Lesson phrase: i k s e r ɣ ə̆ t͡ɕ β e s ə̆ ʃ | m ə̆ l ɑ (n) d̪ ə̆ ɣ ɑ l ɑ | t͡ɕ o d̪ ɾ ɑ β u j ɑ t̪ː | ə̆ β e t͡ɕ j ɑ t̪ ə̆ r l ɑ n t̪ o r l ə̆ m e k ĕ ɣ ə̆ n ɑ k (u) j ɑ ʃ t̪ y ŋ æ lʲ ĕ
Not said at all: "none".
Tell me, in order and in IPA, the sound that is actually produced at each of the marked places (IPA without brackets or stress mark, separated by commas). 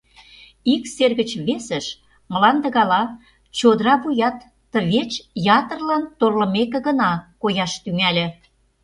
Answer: n, o